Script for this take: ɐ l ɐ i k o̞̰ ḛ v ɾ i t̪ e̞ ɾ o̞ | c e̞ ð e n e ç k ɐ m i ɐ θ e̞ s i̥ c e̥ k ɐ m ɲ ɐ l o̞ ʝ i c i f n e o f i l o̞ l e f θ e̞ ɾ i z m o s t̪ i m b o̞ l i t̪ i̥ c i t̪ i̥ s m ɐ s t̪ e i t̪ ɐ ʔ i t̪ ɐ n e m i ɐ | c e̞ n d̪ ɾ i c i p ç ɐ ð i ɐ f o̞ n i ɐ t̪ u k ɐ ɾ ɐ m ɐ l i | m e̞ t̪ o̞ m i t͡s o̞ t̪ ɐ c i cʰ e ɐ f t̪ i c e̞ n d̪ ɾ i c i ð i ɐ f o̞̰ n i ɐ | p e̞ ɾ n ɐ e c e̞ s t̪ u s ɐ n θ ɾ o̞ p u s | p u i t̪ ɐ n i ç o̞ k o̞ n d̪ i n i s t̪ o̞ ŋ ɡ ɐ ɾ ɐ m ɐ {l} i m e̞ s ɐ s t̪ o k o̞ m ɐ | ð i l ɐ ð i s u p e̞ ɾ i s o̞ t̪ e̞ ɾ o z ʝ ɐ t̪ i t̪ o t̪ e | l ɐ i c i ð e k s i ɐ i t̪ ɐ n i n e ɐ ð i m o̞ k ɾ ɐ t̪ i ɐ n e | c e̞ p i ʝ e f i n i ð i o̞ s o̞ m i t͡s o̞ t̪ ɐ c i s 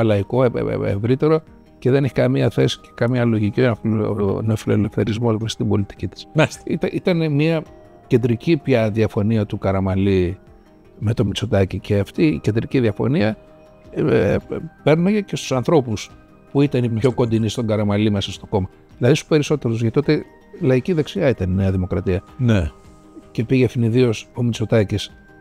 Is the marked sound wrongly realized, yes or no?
no